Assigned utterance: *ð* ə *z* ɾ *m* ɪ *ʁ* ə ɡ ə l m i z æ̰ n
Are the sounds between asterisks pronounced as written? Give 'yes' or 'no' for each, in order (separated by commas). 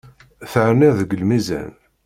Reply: no, no, no, no